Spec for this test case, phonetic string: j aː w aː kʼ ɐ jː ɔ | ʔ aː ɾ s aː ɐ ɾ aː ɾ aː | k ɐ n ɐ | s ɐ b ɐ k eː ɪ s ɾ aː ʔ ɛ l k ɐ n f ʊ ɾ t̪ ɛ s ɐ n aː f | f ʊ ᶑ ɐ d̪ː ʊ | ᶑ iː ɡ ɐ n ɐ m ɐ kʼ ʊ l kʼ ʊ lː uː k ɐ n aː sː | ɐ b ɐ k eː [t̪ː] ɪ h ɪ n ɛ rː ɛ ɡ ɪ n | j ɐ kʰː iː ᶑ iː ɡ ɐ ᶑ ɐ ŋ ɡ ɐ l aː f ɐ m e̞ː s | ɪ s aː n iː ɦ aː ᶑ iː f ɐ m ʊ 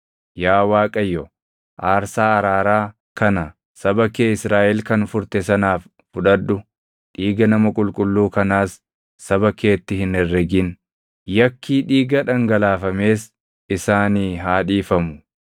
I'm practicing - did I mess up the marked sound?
no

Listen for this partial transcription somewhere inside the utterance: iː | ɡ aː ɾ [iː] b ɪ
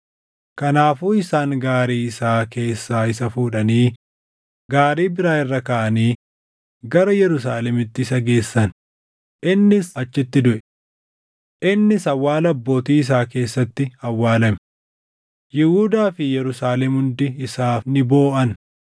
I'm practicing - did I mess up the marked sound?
no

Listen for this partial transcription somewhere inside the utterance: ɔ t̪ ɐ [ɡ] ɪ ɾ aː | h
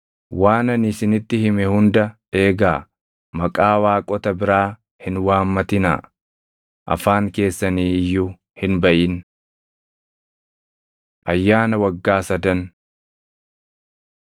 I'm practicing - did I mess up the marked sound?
yes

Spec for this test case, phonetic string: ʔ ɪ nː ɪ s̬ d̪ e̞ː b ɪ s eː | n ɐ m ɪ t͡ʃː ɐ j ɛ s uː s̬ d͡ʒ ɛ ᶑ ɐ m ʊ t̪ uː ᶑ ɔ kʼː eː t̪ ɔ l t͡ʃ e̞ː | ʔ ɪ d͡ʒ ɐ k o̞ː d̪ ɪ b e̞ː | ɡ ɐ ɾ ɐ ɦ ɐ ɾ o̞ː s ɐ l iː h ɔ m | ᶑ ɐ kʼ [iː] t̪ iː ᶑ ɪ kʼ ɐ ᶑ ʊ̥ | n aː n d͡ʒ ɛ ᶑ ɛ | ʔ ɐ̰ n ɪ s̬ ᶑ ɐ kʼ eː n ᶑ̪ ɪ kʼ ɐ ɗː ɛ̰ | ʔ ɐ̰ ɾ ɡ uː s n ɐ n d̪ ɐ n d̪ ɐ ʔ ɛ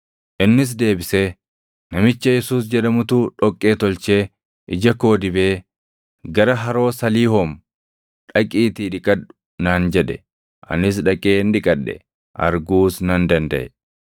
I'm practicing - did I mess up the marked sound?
no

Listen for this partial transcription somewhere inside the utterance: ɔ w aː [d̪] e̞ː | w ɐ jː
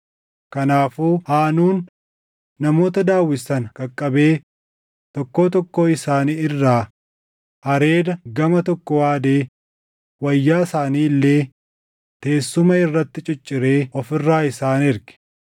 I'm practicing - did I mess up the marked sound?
no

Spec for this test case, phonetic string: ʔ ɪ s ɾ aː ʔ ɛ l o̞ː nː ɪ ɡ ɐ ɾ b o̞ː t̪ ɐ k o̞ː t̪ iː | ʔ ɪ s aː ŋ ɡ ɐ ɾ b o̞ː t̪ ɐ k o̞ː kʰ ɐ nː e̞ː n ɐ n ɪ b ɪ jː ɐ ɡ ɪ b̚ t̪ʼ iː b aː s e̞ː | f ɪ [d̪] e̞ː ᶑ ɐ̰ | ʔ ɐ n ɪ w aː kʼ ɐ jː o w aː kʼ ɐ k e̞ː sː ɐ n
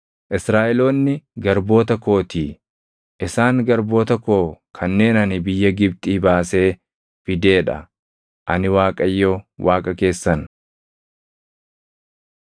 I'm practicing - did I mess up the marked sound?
no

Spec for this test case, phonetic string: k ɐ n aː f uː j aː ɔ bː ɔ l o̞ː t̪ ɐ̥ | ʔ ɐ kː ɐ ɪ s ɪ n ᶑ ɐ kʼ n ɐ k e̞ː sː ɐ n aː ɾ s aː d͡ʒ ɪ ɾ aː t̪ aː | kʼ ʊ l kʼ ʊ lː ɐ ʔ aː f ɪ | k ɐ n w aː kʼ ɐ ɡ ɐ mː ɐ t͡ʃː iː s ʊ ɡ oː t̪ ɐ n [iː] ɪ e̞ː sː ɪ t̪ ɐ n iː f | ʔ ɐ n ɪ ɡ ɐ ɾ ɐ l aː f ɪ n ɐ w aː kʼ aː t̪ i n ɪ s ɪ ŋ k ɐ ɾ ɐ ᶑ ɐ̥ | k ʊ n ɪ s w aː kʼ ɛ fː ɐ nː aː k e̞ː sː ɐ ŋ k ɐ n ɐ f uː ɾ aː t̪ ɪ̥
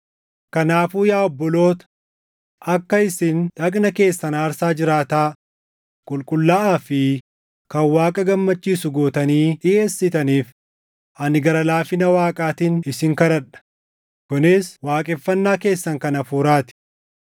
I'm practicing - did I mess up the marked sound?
no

